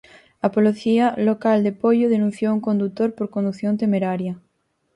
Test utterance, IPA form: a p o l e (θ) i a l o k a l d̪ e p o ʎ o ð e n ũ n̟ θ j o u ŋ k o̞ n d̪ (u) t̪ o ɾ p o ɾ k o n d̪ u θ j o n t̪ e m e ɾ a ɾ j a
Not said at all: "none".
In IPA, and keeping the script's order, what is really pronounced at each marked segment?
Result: θ, u

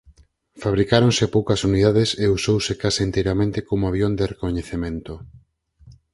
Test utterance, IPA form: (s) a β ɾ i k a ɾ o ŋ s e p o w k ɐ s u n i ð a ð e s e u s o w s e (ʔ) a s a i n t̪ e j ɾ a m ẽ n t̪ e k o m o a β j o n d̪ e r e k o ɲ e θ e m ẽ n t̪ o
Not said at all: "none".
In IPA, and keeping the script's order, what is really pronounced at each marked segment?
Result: f, k

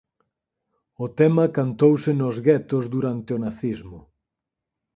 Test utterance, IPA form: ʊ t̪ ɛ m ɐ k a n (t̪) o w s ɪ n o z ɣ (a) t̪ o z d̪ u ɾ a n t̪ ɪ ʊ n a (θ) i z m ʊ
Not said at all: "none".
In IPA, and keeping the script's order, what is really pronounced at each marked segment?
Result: t̪, ɛ, θ

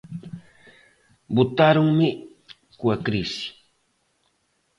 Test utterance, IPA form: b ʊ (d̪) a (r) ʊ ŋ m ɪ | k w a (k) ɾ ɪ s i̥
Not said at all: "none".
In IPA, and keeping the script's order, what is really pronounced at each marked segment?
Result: t̪, ɾ, k

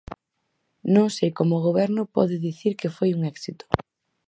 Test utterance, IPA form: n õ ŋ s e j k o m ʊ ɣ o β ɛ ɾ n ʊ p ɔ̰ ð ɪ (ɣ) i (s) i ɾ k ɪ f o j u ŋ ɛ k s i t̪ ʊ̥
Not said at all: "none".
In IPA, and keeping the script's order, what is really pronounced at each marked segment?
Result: ð, θ

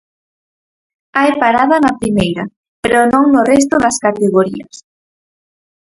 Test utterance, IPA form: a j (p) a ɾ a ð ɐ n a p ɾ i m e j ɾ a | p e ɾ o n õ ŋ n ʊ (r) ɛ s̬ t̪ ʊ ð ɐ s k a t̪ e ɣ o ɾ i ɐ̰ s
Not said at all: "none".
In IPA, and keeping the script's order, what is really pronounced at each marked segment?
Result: p, r

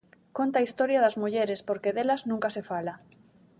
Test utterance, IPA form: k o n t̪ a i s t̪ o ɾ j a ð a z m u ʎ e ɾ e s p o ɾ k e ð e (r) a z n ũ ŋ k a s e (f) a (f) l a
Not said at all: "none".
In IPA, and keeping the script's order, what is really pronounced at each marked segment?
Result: l, f, none

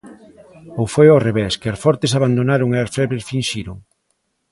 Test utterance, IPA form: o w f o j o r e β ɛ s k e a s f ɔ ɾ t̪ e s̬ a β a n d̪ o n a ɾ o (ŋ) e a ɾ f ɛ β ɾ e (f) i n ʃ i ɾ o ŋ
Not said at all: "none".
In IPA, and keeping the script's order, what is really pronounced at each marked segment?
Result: ŋ, f

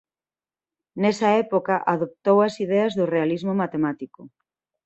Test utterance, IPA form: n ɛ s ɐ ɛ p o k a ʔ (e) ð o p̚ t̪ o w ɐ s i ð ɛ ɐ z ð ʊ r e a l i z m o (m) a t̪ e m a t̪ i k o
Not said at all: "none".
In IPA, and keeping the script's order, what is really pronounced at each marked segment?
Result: a, m

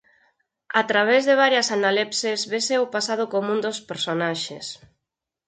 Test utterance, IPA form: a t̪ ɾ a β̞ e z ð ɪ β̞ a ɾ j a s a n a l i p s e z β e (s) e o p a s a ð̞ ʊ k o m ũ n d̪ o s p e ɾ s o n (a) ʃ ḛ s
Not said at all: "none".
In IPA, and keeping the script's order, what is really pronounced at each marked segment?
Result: s, a

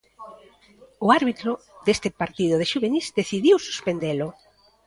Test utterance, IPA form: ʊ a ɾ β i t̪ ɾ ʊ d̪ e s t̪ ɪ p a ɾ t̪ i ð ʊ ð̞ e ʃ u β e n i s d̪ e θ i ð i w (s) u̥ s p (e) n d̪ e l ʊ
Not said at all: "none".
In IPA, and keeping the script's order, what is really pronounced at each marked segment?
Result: s, e

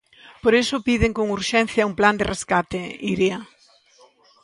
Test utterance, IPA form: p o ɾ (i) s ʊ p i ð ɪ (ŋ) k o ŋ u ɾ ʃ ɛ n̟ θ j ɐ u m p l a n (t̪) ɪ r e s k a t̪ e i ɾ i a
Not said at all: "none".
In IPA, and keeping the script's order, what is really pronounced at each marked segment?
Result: e, ŋ, d̪

